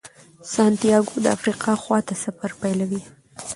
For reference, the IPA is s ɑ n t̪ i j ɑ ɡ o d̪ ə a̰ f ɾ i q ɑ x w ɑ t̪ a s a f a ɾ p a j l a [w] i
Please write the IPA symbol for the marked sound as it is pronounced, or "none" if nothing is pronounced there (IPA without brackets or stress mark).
w